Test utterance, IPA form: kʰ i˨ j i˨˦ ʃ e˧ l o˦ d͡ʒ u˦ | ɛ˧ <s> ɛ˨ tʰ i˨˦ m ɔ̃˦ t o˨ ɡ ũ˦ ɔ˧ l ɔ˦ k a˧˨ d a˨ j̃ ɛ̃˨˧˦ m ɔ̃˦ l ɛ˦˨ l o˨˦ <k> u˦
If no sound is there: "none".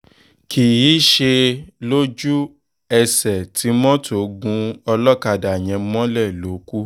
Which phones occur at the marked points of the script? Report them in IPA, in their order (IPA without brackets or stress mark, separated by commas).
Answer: s, k